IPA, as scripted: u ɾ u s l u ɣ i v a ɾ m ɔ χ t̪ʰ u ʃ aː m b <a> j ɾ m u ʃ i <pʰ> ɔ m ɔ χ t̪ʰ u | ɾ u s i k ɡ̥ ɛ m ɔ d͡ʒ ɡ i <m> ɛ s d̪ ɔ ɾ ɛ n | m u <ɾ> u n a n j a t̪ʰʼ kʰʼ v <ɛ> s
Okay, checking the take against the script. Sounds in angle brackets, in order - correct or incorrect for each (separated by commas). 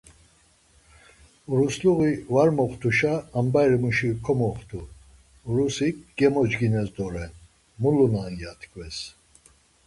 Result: correct, incorrect, incorrect, incorrect, correct